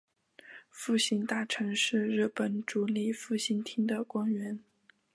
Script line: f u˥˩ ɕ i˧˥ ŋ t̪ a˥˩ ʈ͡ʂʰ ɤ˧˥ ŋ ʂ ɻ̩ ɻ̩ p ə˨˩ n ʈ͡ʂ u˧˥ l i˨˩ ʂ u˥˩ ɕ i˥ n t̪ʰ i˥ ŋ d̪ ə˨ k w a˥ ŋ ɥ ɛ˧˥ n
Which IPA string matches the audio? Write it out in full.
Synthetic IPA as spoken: f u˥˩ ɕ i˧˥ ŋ t̪ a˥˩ ʈ͡ʂʰ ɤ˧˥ ŋ ʂ ɻ̩ ɻ̩ p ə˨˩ n ʈ͡ʂ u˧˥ l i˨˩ f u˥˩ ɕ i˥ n t̪ʰ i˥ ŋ d̪ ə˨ k w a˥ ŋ ɥ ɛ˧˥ n